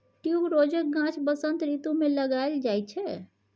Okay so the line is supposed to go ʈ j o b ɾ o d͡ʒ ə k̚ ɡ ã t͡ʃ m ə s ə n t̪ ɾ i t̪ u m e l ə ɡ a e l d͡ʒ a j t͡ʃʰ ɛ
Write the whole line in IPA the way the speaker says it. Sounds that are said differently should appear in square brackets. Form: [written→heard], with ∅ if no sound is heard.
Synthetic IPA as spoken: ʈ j [o→u] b ɾ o d͡ʒ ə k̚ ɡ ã t͡ʃ [m→b] ə s ə n t̪ ɾ i t̪ u m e l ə ɡ a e l d͡ʒ a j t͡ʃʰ ɛ